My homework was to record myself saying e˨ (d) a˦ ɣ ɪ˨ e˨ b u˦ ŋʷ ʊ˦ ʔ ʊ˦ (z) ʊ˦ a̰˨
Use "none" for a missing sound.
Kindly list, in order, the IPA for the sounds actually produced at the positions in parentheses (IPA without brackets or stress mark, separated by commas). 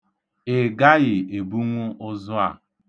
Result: ɡ, z